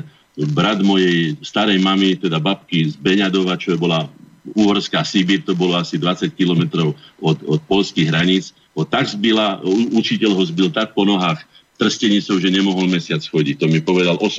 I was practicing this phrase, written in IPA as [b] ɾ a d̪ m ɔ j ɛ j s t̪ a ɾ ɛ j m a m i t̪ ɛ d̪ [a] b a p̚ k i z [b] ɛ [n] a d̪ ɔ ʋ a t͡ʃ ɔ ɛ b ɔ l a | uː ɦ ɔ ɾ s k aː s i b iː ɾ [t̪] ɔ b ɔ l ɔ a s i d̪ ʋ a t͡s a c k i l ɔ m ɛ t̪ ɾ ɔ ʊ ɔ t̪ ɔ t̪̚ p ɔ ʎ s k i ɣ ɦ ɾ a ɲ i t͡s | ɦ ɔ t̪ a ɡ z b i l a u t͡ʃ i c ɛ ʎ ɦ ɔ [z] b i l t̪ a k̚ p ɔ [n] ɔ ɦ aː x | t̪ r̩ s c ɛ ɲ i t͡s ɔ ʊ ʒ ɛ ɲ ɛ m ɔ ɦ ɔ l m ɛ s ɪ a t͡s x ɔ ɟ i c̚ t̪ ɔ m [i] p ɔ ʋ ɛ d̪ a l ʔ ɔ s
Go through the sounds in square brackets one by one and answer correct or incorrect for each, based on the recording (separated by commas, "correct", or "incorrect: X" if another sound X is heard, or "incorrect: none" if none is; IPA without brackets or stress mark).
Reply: correct, correct, correct, incorrect: ɲ, correct, correct, correct, correct